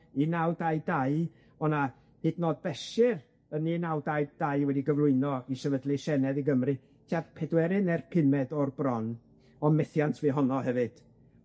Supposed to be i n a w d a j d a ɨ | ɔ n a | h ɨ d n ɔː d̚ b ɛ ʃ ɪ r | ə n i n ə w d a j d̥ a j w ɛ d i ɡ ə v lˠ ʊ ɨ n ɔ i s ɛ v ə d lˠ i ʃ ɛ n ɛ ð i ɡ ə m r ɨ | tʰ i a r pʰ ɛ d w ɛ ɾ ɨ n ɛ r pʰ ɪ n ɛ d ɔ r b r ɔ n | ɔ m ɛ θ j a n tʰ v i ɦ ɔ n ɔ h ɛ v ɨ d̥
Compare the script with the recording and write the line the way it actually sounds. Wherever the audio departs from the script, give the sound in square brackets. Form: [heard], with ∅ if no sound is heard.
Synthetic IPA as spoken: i n a w d a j d a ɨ | ɔ n a | h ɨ d n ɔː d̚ b ɛ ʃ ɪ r | ə n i n [a] w d a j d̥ a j w ɛ d i ɡ ə v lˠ ʊ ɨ n ɔ i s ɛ v ə d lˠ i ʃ ɛ n ɛ ð i ɡ ə m r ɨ | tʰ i a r pʰ ɛ d w ɛ ɾ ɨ n ɛ r pʰ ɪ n ɛ d ɔ r b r ɔ n | ɔ m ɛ θ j a n tʰ v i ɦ ɔ n ɔ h ɛ v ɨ d̥